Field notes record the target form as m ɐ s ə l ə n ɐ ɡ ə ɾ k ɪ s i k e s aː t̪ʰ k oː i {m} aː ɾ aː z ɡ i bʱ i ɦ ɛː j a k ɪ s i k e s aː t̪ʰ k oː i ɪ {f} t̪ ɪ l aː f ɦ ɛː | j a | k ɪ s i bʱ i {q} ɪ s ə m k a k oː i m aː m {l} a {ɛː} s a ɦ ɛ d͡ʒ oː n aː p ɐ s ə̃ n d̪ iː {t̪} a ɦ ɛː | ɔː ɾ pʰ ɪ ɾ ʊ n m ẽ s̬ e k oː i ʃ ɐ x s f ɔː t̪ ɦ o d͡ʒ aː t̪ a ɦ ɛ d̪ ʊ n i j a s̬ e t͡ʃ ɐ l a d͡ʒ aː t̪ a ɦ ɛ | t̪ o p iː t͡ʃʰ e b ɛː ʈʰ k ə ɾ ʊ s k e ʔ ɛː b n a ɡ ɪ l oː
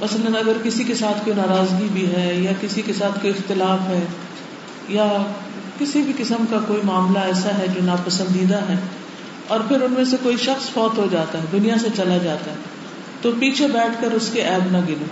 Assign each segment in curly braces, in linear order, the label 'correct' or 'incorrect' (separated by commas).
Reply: incorrect, incorrect, incorrect, correct, correct, incorrect